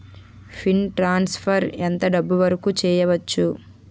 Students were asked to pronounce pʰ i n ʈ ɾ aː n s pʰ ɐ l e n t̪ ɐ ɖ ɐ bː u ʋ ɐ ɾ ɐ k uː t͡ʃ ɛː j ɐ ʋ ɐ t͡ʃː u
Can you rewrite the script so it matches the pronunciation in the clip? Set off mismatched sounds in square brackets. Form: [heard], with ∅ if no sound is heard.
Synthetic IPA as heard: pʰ i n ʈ ɾ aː n s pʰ ɐ [ɾ] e n t̪ ɐ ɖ ɐ bː u ʋ ɐ ɾ ɐ k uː t͡ʃ ɛː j ɐ ʋ ɐ t͡ʃː u